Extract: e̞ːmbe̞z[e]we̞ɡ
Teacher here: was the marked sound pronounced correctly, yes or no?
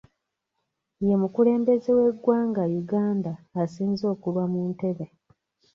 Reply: yes